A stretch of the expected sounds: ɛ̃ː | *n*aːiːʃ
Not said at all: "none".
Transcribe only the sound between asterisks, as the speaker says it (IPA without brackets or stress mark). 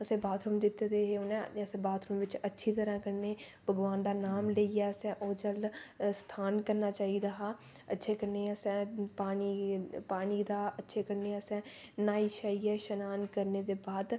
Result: n